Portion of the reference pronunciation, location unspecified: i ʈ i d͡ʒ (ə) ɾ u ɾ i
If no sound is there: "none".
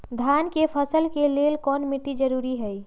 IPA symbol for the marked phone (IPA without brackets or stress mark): ə